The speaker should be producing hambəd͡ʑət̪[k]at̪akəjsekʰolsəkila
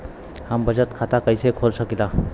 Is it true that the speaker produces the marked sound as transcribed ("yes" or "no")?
no